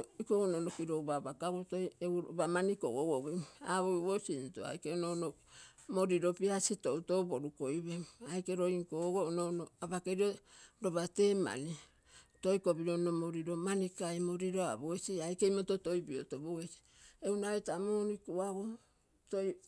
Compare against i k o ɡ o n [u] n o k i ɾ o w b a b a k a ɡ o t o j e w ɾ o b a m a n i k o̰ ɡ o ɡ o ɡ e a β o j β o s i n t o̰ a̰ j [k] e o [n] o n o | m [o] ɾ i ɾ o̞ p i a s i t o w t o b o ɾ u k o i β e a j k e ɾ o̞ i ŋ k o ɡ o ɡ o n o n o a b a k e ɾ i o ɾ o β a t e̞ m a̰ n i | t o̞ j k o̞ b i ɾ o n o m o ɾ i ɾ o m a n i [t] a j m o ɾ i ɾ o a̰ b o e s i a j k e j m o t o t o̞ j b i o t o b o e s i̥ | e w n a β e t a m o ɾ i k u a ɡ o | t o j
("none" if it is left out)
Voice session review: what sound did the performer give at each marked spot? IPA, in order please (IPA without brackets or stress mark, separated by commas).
o, k, n, o, k